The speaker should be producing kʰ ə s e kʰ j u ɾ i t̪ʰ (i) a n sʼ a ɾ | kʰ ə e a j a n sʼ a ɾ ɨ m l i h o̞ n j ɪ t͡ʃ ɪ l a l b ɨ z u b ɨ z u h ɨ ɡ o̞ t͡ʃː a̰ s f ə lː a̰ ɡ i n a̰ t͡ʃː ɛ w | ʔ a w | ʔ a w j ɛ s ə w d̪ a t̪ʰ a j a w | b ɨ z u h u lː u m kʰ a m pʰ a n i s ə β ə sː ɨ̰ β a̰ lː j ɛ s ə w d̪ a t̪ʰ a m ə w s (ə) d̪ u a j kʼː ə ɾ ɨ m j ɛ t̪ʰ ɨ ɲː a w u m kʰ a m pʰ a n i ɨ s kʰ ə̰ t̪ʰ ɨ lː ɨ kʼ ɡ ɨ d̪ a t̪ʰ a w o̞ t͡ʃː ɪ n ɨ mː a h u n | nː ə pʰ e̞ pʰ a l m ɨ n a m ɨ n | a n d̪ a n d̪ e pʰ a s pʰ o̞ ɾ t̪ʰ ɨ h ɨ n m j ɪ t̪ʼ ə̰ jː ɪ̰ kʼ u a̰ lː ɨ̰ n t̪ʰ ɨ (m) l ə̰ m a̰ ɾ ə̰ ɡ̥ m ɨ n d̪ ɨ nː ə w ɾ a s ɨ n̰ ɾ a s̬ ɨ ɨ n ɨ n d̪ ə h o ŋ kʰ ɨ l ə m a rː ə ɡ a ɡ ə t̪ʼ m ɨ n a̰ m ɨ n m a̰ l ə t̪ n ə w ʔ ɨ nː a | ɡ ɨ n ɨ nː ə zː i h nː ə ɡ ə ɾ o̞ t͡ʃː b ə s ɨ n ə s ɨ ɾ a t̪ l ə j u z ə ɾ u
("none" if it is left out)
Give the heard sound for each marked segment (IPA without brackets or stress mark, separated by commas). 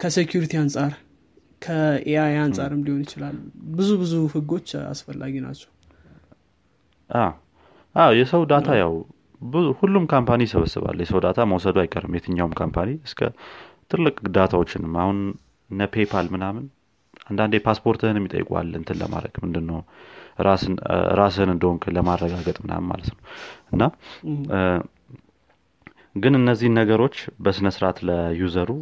i, ə, n